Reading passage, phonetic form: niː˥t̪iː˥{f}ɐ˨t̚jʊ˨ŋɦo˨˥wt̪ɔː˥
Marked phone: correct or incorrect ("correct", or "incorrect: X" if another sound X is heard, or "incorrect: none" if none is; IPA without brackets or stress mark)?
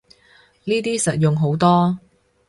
incorrect: s